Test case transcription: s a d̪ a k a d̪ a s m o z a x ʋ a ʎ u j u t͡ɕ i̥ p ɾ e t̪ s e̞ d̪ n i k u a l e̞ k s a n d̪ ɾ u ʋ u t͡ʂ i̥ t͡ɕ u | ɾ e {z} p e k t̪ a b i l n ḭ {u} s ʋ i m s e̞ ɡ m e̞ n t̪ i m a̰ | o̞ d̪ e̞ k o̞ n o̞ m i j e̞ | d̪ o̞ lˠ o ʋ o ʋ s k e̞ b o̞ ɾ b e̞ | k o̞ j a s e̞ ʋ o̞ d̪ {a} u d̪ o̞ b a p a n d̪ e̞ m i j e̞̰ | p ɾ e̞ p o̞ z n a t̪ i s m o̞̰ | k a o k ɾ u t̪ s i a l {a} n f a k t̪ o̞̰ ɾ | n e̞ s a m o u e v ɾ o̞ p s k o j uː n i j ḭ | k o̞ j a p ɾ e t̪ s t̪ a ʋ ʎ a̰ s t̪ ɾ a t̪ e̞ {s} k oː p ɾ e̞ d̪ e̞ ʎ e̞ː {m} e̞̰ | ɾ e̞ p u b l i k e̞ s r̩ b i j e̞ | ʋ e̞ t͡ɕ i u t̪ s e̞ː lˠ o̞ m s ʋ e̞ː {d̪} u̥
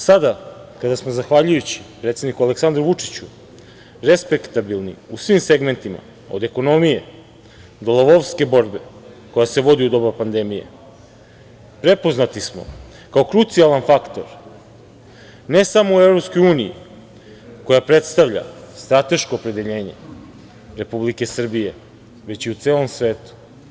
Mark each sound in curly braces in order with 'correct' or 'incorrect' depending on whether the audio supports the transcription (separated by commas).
incorrect, correct, incorrect, correct, incorrect, incorrect, incorrect